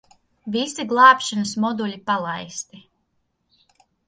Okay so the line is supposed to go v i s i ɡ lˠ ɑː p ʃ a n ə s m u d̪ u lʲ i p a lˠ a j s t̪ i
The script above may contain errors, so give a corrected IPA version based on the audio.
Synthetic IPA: v i s i ɡ lˠ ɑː p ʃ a n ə s m ɔ d̪ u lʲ i p a lˠ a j s t̪ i